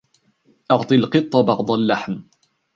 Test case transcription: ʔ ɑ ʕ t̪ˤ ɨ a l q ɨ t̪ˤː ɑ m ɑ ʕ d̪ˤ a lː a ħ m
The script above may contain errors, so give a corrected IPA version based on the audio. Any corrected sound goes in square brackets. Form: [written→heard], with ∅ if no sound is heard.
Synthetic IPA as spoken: ʔ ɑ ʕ t̪ˤ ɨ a l q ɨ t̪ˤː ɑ [m→b] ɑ ʕ d̪ˤ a lː a ħ m